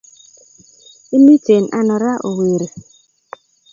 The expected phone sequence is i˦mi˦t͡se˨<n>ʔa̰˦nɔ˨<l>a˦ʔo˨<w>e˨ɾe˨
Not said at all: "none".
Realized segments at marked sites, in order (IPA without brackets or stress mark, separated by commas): n, ɾ, w